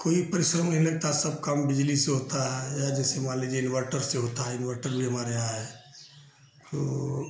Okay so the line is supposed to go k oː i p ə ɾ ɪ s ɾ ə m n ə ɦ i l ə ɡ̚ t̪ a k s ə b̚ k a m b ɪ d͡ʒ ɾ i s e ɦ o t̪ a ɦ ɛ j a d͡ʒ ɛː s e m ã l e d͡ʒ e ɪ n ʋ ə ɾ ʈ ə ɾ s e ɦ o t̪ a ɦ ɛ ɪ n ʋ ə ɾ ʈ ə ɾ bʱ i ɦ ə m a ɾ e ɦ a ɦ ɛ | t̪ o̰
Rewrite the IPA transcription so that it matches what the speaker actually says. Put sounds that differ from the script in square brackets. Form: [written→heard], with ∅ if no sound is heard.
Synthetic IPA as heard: k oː i p ə ɾ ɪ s ɾ ə m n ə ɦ i l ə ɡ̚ t̪ a [k→∅] s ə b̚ k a m b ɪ d͡ʒ [ɾ→l] i s e ɦ o t̪ a ɦ ɛ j a d͡ʒ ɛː s e m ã l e d͡ʒ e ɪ n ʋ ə ɾ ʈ ə ɾ s e ɦ o t̪ a ɦ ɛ ɪ n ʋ ə ɾ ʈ ə ɾ bʱ i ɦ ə m a ɾ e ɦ a ɦ ɛ | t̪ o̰